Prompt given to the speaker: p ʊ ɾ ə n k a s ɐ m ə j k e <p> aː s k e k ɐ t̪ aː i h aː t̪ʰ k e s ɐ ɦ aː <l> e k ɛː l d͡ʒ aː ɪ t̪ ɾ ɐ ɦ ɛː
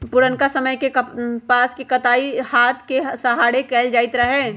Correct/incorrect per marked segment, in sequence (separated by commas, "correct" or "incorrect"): correct, incorrect